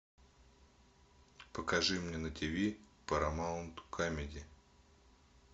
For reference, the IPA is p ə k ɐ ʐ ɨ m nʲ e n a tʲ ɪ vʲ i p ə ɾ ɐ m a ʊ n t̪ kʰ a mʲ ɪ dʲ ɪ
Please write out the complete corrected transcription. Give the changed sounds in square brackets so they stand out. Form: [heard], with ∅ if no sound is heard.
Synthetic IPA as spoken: p ə k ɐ ʐ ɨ m nʲ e n [ə] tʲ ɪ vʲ i p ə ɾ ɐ m a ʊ n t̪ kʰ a mʲ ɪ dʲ ɪ